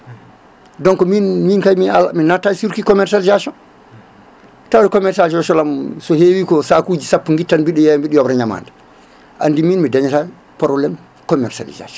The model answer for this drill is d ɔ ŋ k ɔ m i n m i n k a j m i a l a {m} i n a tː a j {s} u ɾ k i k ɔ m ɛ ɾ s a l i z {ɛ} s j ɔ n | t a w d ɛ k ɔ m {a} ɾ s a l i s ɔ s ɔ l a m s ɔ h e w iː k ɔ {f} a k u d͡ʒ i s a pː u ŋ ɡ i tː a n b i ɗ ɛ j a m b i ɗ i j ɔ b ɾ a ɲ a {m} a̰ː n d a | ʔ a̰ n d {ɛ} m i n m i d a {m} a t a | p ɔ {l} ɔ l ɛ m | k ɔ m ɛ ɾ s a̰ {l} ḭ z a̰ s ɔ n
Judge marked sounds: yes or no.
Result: yes, yes, no, no, no, yes, no, no, no, yes

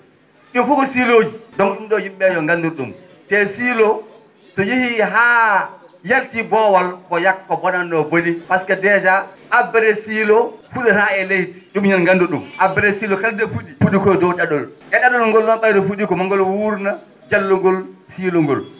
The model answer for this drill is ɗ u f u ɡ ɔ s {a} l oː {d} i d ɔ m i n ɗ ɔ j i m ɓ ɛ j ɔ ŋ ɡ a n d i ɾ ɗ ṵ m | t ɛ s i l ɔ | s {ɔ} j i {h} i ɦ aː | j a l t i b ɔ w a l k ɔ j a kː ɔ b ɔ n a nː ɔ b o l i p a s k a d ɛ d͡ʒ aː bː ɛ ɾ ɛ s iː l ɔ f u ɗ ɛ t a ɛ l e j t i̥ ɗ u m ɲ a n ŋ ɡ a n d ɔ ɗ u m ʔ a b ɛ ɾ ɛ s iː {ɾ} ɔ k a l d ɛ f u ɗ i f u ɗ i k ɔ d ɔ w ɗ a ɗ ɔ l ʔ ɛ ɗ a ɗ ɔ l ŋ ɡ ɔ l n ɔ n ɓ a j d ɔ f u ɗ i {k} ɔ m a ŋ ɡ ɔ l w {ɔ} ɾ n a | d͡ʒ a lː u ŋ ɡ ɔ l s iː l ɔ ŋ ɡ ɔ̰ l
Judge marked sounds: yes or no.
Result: no, no, yes, yes, no, yes, no

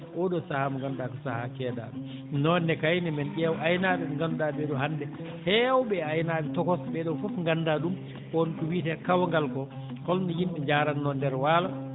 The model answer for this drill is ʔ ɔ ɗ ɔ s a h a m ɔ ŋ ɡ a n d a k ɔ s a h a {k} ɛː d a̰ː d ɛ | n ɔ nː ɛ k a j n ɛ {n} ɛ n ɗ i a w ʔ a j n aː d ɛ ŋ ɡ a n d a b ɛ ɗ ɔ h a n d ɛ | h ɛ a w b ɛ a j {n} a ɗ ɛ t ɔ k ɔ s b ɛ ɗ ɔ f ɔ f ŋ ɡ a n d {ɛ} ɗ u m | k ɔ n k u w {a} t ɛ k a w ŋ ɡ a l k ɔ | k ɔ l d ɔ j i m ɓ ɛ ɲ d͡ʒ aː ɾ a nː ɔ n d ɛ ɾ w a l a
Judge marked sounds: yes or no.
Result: yes, no, yes, no, no

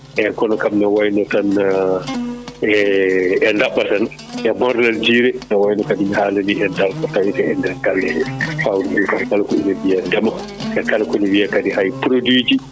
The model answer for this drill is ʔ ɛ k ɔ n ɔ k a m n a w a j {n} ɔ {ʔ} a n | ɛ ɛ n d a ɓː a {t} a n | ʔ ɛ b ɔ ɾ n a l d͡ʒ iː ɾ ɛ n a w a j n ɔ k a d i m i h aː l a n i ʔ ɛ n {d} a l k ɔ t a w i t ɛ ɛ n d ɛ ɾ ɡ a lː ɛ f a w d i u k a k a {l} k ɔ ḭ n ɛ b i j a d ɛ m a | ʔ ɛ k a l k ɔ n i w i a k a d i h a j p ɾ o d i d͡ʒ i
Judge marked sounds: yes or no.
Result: yes, no, yes, yes, yes

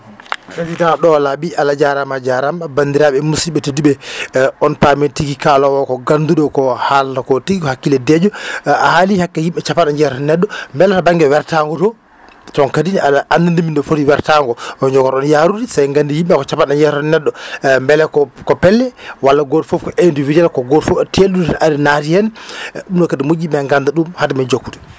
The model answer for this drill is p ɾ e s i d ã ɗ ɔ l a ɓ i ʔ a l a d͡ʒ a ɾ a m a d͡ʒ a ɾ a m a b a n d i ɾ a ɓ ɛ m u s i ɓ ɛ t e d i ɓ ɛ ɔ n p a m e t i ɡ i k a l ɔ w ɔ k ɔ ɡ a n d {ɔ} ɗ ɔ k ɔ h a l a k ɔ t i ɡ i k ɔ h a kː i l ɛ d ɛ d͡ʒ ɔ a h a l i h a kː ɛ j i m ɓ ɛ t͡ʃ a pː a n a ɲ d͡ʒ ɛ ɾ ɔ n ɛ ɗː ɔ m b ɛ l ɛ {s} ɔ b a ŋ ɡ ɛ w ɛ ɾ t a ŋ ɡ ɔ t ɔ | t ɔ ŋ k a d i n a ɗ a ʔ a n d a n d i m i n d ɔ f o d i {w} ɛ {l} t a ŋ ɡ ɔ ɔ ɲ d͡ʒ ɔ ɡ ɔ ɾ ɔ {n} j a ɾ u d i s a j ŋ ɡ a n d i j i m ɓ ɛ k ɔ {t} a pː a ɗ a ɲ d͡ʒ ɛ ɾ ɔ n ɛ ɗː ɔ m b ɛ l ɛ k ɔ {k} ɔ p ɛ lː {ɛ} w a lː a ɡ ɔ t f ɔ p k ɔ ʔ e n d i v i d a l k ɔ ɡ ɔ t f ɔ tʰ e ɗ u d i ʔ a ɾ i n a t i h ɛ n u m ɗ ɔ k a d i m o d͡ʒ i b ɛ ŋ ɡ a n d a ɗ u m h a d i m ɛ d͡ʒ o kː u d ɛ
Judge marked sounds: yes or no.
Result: no, no, yes, no, yes, no, yes, yes

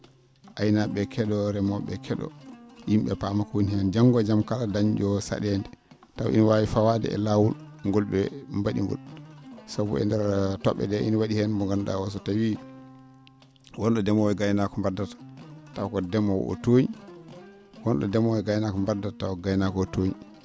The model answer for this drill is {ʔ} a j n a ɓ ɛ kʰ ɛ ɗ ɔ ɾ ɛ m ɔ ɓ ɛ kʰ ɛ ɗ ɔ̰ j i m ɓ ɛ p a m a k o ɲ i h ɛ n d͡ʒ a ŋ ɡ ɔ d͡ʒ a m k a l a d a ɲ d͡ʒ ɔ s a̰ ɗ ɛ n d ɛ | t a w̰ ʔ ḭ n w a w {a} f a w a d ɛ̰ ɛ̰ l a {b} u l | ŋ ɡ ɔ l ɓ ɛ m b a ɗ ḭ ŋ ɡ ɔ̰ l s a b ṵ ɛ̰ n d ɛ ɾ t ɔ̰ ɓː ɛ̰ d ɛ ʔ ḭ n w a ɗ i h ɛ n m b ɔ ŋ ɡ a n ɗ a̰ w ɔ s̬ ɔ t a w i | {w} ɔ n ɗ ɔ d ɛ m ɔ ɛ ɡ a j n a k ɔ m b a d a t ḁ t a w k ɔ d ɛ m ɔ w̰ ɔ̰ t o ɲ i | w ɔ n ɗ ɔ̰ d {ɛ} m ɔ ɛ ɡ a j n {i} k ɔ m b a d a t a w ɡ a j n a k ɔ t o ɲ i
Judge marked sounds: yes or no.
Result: yes, no, no, yes, yes, no

